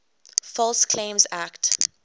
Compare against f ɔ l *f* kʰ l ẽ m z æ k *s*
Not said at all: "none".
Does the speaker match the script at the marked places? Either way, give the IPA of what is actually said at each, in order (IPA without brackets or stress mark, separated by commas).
s, t